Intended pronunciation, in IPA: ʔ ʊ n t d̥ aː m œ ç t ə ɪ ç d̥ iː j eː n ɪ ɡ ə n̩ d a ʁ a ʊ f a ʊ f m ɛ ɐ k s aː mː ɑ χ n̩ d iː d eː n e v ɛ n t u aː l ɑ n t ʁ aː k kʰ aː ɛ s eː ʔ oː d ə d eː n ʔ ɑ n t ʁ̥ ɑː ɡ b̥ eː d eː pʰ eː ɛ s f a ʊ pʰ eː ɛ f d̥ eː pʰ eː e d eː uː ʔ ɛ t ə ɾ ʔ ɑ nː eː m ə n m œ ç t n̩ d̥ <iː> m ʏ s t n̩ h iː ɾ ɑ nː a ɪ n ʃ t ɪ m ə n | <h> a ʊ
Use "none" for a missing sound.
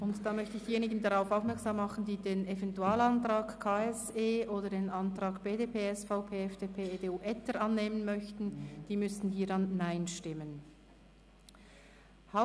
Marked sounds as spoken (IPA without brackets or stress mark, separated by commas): iː, h